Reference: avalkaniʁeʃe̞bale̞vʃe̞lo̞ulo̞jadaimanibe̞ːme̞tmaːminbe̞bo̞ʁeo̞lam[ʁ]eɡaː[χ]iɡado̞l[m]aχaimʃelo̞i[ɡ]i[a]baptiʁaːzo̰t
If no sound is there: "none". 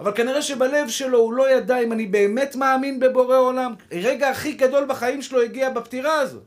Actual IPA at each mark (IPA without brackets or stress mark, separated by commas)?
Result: ʁ, χ, b, ɡ, a